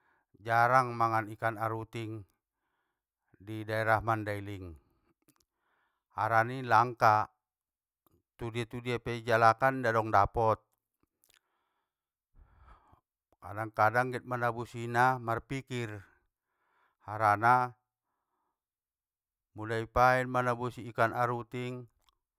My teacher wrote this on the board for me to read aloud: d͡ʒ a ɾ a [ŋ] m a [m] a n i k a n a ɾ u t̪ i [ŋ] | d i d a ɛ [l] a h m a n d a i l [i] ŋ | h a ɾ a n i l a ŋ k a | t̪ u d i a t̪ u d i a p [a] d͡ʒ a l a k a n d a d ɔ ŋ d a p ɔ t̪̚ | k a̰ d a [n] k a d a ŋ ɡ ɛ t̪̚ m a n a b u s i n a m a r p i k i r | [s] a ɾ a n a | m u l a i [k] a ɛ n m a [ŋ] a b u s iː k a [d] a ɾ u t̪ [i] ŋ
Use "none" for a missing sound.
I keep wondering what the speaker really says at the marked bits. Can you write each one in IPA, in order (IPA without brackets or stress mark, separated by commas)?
ŋ, ŋ, ŋ, ɾ, i, ɛ, ŋ, h, p, n, n, i